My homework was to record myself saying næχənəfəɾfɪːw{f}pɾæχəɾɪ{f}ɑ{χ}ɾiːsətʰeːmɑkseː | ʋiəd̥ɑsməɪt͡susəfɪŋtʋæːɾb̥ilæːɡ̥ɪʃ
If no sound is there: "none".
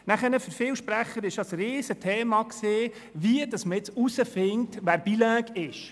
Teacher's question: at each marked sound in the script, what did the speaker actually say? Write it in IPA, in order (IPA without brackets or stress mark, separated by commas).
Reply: ʃ, ʃ, s